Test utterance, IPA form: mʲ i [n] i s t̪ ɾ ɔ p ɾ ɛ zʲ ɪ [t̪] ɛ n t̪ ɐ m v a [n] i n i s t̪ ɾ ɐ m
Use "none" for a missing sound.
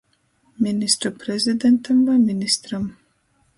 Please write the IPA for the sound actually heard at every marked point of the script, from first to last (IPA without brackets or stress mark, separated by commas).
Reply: n, d̪, m